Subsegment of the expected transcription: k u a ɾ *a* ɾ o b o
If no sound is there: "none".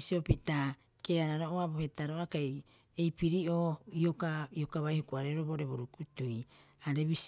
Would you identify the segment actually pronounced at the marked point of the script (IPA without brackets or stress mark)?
e